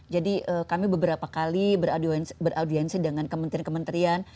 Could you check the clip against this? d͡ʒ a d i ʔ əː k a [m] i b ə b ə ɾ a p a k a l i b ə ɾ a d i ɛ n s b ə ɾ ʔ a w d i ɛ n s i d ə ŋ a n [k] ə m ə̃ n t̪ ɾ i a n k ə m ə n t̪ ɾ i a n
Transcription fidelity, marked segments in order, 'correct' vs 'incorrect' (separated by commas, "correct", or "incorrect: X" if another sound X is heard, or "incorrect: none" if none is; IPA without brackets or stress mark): correct, correct